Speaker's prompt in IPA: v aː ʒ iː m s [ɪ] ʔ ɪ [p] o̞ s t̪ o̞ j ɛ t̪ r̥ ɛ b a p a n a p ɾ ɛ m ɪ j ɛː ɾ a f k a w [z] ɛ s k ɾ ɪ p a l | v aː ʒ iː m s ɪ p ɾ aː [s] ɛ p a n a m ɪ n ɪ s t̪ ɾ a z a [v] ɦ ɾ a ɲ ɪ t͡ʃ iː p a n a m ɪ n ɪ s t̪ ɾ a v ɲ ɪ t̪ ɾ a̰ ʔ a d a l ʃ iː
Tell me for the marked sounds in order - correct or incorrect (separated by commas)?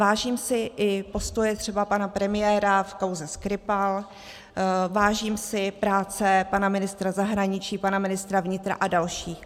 correct, correct, correct, incorrect, incorrect